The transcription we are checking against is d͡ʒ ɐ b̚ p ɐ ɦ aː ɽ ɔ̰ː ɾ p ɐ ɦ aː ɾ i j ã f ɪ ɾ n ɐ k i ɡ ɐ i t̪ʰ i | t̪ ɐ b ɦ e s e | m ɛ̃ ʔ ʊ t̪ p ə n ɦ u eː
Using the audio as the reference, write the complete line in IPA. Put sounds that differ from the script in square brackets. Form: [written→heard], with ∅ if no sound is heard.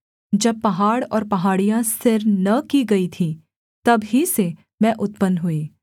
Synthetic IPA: d͡ʒ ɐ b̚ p ɐ ɦ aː ɽ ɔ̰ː ɾ p ɐ ɦ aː [ɾ→ɽ] i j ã [f→s] ɪ ɾ n ɐ k i ɡ ɐ i t̪ʰ i | t̪ ɐ b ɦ [e→i] s e | m ɛ̃ ʔ ʊ t̪ p ə n ɦ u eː